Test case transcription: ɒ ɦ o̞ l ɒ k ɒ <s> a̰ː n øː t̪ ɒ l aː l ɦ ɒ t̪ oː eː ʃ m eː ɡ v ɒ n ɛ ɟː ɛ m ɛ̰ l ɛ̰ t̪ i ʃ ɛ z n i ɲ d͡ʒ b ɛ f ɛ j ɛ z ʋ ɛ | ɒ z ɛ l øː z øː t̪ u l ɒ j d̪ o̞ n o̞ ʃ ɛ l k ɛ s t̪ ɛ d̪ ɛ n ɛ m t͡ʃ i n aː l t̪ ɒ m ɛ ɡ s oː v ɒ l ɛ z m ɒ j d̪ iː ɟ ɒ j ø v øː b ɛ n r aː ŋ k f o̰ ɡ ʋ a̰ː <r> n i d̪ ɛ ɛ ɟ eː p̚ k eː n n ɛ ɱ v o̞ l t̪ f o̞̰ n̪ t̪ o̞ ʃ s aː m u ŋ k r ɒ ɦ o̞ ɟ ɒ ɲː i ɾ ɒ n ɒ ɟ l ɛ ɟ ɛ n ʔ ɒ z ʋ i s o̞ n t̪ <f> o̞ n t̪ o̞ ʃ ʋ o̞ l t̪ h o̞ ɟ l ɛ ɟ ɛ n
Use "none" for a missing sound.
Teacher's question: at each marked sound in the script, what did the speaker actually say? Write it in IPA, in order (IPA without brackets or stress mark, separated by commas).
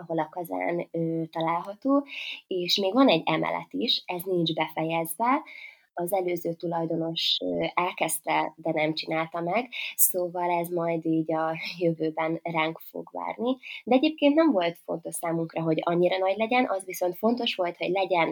z, r, f